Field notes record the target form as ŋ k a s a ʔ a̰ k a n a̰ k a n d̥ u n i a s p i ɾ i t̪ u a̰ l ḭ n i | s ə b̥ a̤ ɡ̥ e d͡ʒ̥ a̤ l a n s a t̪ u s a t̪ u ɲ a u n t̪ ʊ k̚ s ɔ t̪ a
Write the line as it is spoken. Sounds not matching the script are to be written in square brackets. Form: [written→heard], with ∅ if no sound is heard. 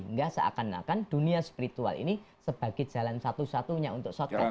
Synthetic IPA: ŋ [k→ɡ] a s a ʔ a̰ k a n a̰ k a n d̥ u n i a s p i ɾ i t̪ u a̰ l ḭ n i | s ə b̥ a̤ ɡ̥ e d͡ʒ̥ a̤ l a n s a t̪ u s a t̪ u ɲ a u n t̪ ʊ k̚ s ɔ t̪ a